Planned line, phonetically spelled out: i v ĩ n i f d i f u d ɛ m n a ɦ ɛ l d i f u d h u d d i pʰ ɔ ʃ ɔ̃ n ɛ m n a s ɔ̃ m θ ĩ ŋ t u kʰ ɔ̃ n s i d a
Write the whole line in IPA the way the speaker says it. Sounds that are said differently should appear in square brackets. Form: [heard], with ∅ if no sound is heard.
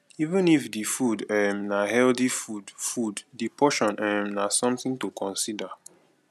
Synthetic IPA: i v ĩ n i f d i f u d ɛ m n a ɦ ɛ l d i f u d [f] u d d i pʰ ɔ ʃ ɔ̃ n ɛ m n a s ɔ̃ m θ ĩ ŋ t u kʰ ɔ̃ n s i d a